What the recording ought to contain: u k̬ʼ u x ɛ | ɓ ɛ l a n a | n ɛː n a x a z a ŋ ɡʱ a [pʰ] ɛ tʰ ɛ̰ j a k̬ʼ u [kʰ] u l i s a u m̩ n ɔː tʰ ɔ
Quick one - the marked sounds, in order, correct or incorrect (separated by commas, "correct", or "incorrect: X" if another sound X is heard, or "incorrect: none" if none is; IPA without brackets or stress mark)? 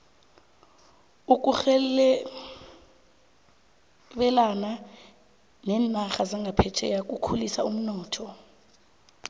correct, correct